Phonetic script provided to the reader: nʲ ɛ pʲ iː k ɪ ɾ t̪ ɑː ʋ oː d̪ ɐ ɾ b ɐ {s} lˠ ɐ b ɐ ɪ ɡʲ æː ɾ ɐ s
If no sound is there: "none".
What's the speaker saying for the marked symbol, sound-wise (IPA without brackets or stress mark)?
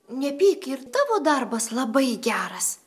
s